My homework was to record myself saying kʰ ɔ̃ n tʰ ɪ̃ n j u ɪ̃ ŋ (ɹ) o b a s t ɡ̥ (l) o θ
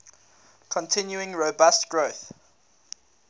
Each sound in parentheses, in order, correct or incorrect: correct, incorrect: ɹ

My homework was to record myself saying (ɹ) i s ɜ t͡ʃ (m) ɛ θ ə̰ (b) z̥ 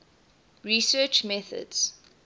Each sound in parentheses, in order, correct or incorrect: correct, correct, incorrect: d

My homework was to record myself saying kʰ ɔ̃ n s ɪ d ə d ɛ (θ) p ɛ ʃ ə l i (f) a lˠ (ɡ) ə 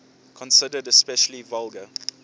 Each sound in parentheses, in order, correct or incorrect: incorrect: s, incorrect: v, correct

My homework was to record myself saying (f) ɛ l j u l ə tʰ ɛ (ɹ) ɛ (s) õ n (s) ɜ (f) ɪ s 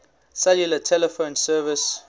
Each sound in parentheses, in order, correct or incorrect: incorrect: s, incorrect: l, incorrect: f, correct, incorrect: v

